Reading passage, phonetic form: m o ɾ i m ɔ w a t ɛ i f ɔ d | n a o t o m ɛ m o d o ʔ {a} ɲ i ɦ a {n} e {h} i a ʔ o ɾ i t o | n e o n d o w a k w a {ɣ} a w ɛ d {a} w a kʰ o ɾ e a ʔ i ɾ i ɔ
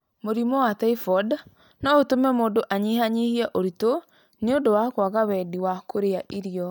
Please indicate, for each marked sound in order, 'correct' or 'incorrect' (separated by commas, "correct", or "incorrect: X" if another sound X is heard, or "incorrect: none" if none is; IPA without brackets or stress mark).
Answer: correct, incorrect: ɲ, correct, correct, incorrect: i